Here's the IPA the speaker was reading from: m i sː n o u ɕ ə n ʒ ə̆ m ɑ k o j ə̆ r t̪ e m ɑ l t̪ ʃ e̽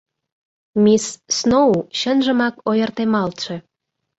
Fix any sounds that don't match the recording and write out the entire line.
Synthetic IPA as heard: m i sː n o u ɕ ə n ʒ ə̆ m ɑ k o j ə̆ r t̪ e m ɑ l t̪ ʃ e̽